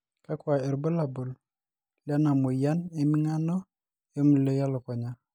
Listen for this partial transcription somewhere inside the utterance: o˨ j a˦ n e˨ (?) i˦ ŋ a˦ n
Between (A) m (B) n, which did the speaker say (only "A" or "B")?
A